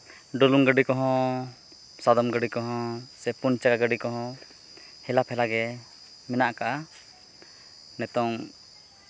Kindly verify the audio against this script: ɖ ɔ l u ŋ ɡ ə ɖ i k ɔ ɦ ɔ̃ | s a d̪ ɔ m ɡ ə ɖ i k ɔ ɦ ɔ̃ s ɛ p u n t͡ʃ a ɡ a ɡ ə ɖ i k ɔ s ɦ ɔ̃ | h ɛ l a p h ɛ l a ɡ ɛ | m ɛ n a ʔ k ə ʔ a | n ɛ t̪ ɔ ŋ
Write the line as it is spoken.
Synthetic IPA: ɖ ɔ l u ŋ ɡ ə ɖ i k ɔ ɦ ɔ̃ | s a d̪ ɔ m ɡ ə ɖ i k ɔ ɦ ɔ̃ s ɛ p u n t͡ʃ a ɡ a ɡ ə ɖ i k ɔ ɦ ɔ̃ | h ɛ l a p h ɛ l a ɡ ɛ | m ɛ n a ʔ k a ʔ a | n ɛ t̪ ɔ ŋ